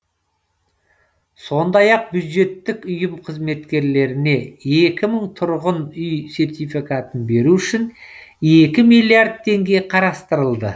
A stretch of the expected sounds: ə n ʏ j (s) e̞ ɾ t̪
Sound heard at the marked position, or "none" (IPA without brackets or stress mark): s